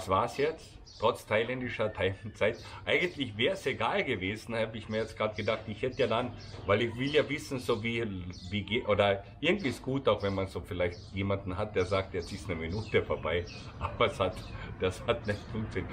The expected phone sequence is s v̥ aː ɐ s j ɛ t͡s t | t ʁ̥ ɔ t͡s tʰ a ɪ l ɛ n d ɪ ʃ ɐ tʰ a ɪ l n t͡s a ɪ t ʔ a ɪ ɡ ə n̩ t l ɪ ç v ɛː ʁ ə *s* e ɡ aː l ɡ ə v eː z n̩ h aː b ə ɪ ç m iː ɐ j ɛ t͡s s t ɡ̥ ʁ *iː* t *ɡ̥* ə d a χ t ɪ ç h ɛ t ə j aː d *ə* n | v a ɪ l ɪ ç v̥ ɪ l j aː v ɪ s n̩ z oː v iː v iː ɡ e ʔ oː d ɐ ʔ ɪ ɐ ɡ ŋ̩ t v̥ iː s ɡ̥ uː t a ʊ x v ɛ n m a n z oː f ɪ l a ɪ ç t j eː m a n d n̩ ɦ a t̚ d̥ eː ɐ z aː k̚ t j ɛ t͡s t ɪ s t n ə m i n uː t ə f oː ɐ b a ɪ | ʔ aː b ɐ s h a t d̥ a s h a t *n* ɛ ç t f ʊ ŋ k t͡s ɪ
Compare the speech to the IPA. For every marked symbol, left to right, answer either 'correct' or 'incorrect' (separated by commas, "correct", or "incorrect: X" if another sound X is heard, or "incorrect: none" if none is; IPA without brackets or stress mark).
correct, incorrect: aː, correct, incorrect: a, correct